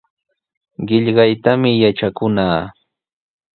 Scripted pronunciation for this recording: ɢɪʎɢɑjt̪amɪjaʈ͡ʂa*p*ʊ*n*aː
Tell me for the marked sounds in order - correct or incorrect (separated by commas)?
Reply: incorrect, correct